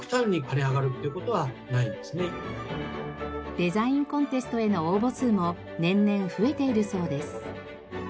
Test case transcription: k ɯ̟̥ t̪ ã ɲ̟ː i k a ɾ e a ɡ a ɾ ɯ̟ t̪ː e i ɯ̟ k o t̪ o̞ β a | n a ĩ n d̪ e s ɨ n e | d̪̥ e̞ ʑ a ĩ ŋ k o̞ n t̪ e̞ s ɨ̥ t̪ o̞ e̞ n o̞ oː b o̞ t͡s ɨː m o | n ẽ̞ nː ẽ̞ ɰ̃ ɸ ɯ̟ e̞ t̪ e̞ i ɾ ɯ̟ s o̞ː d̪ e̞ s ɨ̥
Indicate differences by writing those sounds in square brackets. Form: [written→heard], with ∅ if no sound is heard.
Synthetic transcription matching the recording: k ɯ̟̥ t̪ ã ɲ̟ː i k a ɾ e a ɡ a ɾ ɯ̟ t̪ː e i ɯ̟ k o t̪ o̞ β a | n a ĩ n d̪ e s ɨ n e | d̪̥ e̞ [ʑ→z] a ĩ ŋ k [o̞→õ̞] n t̪ e̞ s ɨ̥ t̪ o̞ e̞ n o̞ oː b o̞ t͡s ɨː m o | n ẽ̞ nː ẽ̞ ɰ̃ ɸ ɯ̟ e̞ t̪ e̞ i ɾ ɯ̟ s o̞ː d̪ e̞ s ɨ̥